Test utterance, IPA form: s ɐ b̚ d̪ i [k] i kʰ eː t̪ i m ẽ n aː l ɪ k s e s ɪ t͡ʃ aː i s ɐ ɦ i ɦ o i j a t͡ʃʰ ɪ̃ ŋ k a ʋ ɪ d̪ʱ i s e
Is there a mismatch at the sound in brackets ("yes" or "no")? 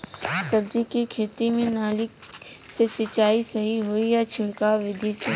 no